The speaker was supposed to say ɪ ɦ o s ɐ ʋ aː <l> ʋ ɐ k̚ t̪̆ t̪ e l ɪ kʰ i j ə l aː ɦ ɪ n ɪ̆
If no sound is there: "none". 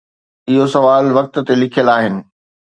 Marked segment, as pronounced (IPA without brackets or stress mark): l